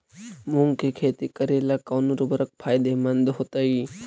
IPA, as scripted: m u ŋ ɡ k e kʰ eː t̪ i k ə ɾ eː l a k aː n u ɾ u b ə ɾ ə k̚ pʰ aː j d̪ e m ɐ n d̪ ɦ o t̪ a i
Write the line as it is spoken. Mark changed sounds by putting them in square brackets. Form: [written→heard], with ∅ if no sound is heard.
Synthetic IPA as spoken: m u ŋ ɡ k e kʰ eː t̪ i k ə ɾ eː l a k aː n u ɾ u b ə ɾ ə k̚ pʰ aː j d̪ e m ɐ n d̪ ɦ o t̪ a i